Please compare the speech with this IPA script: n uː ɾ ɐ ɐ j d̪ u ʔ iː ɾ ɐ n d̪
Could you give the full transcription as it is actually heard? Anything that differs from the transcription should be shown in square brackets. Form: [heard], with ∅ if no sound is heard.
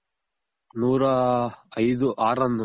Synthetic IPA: n uː ɾ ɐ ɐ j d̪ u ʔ [aː] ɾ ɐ n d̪